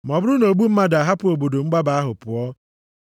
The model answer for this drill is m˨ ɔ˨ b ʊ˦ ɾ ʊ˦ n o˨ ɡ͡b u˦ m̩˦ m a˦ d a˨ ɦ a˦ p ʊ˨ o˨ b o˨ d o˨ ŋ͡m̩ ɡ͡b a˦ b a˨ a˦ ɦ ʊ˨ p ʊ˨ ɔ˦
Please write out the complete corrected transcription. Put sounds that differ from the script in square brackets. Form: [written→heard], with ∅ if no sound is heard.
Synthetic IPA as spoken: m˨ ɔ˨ b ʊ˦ ɾ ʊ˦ n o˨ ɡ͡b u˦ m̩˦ m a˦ d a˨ ɦ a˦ p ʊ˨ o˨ b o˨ d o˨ ŋ͡m̩ ɡ͡b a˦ b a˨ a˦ ɦ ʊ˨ p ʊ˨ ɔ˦